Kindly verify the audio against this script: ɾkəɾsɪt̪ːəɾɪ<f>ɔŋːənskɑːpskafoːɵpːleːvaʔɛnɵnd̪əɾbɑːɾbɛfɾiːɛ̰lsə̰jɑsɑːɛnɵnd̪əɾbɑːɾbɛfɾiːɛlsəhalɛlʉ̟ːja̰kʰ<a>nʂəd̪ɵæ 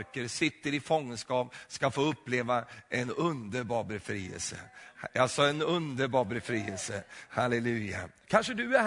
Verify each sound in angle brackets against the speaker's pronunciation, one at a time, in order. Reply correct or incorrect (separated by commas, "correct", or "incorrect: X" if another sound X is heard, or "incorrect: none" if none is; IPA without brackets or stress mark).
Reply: correct, correct